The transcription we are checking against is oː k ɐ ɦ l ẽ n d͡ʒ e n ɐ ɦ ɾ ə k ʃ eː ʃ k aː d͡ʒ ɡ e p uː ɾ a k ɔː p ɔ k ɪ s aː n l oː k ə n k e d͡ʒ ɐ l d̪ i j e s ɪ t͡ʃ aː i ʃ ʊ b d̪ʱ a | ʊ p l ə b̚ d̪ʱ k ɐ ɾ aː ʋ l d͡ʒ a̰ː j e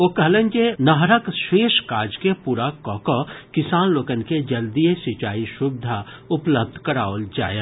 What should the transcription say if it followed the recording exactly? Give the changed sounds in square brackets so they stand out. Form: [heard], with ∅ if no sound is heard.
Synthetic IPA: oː k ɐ ɦ l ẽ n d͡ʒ e n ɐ ɦ ɾ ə k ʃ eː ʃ k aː d͡ʒ [k] e p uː ɾ a k ɔː [k] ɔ k ɪ s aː n l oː k ə n k e d͡ʒ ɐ l d̪ i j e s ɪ t͡ʃ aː i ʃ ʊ b d̪ʱ a | ʊ p l ə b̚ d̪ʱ k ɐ ɾ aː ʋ l d͡ʒ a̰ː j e